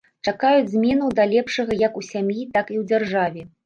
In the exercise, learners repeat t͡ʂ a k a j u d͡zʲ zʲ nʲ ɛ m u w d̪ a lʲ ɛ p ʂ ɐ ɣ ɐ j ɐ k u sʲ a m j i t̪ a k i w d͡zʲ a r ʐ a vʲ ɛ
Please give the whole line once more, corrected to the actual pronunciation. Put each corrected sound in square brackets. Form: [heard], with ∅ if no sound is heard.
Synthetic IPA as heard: t͡ʂ a k a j u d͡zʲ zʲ [mʲ] ɛ [n] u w d̪ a lʲ ɛ p ʂ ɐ ɣ ɐ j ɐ k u sʲ a m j i t̪ a k i w d͡zʲ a r ʐ a vʲ ɛ